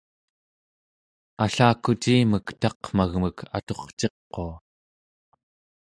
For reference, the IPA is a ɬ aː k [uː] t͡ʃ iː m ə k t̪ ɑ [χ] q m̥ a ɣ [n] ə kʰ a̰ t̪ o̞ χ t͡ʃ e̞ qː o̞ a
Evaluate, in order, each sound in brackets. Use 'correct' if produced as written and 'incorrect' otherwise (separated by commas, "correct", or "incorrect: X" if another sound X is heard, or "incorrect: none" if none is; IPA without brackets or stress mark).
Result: incorrect: u, incorrect: none, incorrect: m